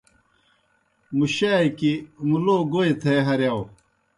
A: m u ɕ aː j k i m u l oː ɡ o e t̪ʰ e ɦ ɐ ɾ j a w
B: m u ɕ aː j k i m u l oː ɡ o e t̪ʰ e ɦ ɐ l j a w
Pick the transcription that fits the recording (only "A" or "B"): A